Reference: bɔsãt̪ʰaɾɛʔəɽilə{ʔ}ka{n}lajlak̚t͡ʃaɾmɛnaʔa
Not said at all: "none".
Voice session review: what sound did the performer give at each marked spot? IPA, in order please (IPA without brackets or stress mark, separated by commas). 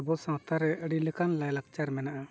none, n